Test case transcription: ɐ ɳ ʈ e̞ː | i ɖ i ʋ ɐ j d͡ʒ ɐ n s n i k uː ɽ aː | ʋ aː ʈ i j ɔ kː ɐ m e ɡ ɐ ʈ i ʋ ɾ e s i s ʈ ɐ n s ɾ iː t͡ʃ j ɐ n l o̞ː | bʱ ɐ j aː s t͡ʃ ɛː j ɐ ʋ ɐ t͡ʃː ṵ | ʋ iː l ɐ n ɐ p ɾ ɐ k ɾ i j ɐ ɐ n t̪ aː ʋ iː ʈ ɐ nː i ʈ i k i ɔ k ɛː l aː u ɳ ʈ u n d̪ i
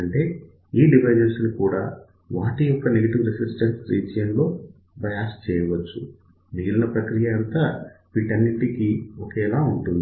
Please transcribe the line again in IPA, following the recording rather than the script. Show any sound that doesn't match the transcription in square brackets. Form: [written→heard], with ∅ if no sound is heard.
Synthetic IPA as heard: ɐ ɳ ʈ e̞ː | [i→iː] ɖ i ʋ ɐ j d͡ʒ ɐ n s n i k uː ɽ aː | ʋ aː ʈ i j ɔ kː ɐ [m→n] e ɡ ɐ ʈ i ʋ ɾ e s i s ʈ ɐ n s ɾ iː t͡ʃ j ɐ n l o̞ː | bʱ ɐ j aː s t͡ʃ ɛː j ɐ ʋ ɐ t͡ʃː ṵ | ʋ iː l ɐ n ɐ p ɾ ɐ k ɾ i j ɐ ɐ n t̪ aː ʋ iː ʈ ɐ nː i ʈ i k i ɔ k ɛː l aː u ɳ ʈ u n d̪ i